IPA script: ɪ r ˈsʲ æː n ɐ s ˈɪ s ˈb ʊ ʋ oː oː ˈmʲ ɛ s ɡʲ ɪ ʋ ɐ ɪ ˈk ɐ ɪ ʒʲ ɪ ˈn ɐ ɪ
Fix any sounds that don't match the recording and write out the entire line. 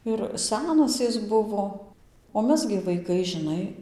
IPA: ɪ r ˈsʲ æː n ɐ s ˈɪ s ˈb ʊ ʋ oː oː ˈmʲ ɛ s ɡʲ ɪ ʋ ɐ ɪ ˈk ɐ ɪ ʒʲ ɪ ˈn ɐ ɪ